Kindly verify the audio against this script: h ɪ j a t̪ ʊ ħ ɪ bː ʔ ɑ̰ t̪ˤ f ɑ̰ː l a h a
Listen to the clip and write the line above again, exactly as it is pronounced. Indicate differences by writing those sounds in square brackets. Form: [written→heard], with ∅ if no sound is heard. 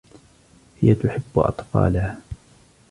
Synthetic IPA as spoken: h ɪ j a t̪ ʊ ħ ɪ bː ʔ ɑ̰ t̪ˤ f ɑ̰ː l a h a